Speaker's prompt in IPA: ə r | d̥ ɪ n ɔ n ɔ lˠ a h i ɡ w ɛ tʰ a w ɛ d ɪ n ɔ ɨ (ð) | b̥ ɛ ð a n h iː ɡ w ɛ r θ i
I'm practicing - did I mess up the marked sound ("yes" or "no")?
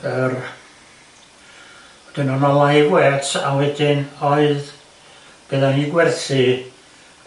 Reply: no